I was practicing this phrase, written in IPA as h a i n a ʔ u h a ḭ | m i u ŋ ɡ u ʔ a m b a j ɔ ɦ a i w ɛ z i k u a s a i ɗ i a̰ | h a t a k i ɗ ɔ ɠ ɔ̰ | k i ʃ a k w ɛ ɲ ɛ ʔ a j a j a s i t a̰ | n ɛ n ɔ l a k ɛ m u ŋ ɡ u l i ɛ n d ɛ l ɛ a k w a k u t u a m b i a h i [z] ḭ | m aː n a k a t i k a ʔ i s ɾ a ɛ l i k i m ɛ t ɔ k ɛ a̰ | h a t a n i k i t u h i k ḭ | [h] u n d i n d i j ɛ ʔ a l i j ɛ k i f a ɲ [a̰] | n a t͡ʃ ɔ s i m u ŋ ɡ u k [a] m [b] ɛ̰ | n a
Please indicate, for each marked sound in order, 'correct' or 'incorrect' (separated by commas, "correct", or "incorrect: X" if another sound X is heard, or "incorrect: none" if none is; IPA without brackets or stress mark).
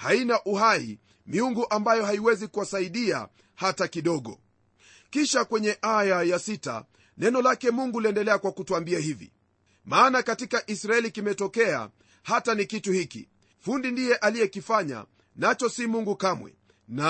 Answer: incorrect: v, incorrect: f, correct, correct, incorrect: w